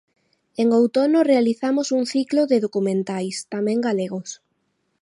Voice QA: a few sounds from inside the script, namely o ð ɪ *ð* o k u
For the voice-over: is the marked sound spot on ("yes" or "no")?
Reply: yes